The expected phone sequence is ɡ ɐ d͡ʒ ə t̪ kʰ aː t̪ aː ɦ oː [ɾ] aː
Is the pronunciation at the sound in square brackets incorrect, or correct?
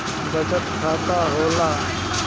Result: incorrect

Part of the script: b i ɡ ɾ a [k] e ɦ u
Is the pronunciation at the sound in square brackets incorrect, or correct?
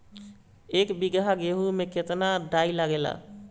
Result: incorrect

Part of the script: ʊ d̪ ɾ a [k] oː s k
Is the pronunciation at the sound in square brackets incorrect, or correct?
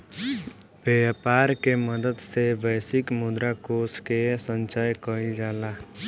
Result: correct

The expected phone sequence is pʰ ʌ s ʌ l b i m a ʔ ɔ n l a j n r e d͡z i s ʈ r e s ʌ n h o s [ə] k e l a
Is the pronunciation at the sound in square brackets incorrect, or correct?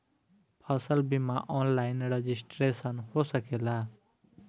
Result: incorrect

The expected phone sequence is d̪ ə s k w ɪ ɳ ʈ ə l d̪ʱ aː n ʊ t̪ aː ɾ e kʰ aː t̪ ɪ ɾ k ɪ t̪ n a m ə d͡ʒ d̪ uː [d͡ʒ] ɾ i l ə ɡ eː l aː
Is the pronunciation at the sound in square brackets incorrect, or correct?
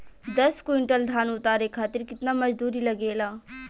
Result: incorrect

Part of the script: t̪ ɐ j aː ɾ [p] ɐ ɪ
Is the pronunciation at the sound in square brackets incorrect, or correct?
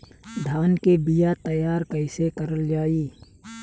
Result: incorrect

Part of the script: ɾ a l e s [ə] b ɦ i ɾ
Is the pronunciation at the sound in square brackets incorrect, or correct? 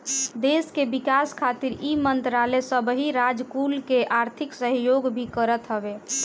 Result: correct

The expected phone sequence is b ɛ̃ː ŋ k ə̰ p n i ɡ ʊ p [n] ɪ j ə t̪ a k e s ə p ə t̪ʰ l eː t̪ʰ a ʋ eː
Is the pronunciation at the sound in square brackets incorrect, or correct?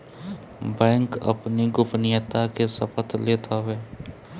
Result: correct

